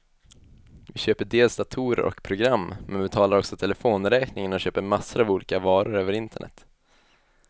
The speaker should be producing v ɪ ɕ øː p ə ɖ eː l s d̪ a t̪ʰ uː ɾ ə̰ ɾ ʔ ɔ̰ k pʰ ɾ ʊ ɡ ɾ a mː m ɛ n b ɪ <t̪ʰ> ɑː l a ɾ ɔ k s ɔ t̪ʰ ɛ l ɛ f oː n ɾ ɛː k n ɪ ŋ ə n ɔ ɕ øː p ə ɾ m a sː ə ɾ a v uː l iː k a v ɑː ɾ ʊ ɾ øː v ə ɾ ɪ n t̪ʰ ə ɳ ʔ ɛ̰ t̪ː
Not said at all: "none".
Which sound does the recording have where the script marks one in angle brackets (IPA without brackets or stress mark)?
t̪ʰ